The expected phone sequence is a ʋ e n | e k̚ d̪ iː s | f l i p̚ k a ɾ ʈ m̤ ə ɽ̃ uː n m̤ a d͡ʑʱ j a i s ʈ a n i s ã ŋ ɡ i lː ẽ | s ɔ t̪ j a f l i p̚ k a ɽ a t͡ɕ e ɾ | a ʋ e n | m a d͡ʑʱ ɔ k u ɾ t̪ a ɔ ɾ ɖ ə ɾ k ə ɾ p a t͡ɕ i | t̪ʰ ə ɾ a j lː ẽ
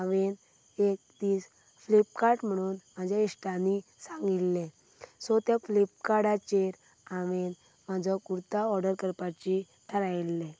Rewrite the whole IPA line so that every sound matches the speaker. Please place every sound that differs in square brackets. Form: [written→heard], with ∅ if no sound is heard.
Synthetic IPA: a ʋ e n | e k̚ d̪ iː s | f l i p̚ k a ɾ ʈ m̤ ə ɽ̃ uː n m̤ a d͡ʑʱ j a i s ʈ a n i s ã ŋ ɡ i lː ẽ | s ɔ t̪ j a f l i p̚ k a ɽ a t͡ɕ e ɾ | a ʋ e n | m a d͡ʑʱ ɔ k u ɾ t̪ a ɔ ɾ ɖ ə ɾ k ə ɾ p a t͡ɕ i | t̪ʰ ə ɾ a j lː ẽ